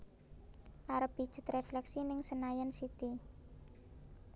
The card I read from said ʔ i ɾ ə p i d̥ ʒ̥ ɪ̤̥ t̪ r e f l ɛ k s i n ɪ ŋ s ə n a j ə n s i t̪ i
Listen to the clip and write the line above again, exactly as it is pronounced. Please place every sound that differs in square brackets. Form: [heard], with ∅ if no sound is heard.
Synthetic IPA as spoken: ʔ [a] ɾ ə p i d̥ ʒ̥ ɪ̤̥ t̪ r e f l ɛ k s i n ɪ ŋ s ə n a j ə n s i t̪ i